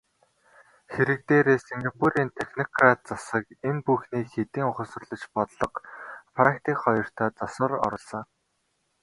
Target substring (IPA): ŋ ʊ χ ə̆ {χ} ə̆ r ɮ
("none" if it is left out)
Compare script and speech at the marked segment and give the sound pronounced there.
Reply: s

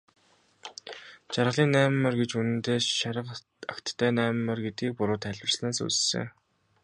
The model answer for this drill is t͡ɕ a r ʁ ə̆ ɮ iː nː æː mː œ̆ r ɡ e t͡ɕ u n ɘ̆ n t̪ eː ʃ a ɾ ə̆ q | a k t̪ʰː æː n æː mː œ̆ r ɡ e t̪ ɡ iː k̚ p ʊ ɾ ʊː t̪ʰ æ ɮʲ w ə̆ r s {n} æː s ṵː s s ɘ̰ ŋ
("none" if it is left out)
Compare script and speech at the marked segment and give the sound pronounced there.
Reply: n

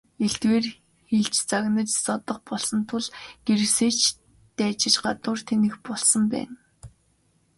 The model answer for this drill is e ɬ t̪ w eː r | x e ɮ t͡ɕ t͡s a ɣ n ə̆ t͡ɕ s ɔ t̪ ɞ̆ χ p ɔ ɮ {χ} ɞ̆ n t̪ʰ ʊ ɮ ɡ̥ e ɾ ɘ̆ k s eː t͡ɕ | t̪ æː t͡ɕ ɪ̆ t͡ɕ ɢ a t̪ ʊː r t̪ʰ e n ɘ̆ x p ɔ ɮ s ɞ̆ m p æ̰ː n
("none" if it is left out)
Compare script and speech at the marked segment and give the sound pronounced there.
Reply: s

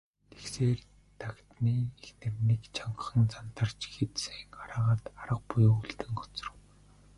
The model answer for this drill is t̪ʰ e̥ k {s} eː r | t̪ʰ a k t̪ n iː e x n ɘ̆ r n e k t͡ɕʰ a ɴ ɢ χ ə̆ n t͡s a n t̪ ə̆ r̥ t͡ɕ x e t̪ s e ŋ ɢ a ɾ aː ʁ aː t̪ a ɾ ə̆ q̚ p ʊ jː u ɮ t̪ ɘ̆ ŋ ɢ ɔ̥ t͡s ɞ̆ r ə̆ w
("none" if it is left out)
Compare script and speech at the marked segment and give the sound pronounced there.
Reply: s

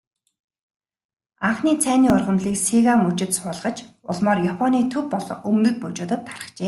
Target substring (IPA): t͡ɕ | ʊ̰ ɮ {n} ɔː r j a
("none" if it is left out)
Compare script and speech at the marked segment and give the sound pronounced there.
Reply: m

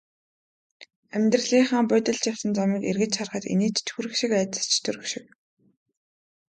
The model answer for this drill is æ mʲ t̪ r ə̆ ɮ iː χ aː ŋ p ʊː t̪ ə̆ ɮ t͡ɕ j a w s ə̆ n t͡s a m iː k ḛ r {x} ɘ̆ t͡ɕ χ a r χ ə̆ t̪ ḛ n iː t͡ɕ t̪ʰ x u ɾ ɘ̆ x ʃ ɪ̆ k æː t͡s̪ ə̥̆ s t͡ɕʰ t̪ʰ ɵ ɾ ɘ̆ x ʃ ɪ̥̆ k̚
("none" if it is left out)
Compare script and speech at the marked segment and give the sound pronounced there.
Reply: ɣ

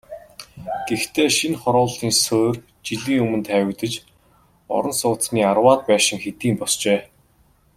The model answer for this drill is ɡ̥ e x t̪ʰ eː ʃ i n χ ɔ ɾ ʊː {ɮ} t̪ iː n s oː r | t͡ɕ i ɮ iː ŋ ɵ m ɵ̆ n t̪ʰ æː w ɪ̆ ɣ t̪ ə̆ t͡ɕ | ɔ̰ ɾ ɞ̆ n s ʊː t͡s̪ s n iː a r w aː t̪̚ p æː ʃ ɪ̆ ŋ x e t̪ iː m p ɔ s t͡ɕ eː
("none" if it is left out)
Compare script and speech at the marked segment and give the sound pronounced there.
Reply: ɮ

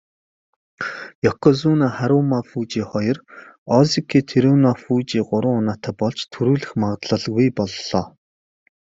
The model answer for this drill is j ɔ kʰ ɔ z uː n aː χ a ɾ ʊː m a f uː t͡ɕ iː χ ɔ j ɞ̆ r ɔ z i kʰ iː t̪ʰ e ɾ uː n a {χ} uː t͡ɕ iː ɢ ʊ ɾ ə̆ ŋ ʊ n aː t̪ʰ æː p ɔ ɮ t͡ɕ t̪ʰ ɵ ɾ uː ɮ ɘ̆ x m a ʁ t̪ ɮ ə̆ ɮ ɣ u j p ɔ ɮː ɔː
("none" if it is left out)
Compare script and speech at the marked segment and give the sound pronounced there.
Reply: f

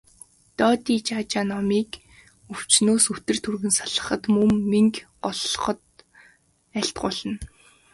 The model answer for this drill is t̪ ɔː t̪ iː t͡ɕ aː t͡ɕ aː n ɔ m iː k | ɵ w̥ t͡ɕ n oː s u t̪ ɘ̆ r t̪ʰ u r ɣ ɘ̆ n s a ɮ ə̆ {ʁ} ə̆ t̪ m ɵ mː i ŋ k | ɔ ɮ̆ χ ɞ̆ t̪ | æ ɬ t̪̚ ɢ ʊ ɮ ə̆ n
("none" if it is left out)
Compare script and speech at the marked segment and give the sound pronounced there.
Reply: χ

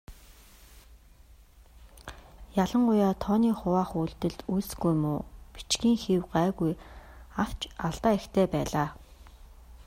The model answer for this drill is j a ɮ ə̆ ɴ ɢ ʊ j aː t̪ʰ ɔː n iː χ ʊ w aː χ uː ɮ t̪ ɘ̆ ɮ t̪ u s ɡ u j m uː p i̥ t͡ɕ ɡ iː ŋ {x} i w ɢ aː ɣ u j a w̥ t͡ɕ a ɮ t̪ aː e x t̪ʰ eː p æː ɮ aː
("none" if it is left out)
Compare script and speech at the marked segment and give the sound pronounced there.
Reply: x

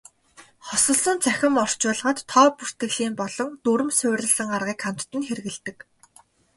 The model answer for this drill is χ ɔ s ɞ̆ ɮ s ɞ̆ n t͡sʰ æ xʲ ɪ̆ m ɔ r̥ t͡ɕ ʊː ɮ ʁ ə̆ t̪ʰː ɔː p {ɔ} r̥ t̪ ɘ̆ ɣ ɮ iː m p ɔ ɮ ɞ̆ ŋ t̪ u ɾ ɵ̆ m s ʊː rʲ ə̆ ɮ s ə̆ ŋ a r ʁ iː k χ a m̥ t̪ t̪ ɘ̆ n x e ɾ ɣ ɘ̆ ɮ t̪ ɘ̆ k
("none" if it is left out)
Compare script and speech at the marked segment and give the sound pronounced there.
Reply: u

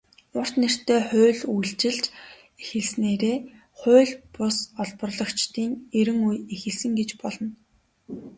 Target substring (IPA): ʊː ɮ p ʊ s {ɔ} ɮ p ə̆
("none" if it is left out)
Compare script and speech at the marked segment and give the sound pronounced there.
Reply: ɔ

